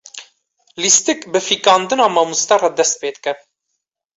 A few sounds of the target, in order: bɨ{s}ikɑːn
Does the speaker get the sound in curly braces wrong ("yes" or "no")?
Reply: yes